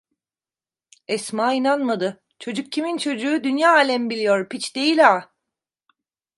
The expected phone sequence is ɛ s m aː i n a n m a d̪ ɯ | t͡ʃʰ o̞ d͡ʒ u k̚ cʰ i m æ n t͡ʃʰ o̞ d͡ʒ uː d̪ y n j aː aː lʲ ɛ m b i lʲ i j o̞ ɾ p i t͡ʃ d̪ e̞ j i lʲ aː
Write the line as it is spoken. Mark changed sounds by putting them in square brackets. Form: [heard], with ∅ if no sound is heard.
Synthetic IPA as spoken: ɛ s m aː i n a n m a d̪ ɯ | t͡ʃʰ o̞ d͡ʒ u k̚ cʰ i m [i] n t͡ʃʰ o̞ d͡ʒ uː d̪ y n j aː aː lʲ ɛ m b i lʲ i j o̞ ɾ p i t͡ʃ d̪ e̞ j i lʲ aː